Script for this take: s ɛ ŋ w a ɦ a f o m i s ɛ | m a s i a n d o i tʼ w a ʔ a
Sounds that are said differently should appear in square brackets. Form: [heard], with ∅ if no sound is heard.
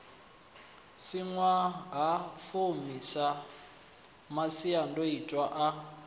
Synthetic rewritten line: s [i] ŋ w a ɦ a f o m i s [a] | m a s i a n d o i tʼ w a ʔ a